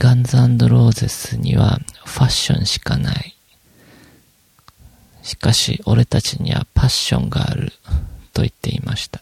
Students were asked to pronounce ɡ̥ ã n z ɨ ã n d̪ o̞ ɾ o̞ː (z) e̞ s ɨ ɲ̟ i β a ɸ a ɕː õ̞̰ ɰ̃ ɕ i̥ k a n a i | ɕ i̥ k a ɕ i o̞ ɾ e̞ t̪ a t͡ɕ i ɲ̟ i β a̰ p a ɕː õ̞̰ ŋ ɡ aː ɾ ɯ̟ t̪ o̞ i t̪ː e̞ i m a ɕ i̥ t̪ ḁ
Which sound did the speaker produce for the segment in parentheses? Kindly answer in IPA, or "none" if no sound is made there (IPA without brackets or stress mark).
z